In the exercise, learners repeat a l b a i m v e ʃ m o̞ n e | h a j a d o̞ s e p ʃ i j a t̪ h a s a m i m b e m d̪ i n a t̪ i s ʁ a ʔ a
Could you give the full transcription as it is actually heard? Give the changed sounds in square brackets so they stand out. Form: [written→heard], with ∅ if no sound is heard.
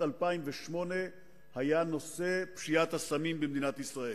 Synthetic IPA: a l [b→p] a i m v e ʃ m o̞ n e | h a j a [d→n] o̞ s e p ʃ i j a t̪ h a s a m i m b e m d̪ i n a t̪ i s ʁ a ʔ [a→e]